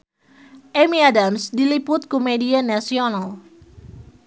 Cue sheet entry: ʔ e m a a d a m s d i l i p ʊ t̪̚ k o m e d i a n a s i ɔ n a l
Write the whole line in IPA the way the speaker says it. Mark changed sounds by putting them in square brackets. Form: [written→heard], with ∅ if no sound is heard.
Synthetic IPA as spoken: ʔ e m [a→i] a d a m s d i l i p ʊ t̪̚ k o m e d i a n a s i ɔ n a l